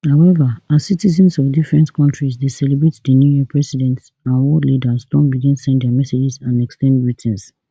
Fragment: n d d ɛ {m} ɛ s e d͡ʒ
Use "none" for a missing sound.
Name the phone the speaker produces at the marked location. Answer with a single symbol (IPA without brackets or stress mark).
m